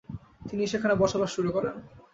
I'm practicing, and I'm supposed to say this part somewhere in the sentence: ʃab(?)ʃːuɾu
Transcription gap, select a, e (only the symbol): a